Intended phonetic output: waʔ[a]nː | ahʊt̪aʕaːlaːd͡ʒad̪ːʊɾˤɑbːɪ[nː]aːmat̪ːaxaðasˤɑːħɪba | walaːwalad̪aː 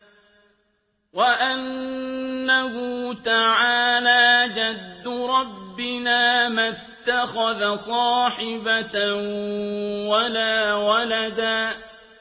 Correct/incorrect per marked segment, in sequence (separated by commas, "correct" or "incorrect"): correct, incorrect